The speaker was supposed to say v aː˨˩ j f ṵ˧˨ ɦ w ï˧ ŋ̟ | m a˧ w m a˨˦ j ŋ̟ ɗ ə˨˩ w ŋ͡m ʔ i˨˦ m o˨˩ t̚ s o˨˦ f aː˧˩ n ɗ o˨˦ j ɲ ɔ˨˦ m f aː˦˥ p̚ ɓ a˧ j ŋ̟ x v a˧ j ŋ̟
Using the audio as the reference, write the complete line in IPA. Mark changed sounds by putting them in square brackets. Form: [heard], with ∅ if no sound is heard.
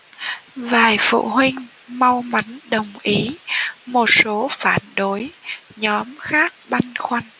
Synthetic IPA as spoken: v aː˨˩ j f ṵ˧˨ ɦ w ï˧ ŋ̟ | m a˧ w m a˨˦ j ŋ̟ ɗ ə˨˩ w ŋ͡m ʔ i˨˦ m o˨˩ t̚ s o˨˦ f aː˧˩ n ɗ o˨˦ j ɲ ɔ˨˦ m [x] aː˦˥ [k̚] ɓ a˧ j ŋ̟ x [w] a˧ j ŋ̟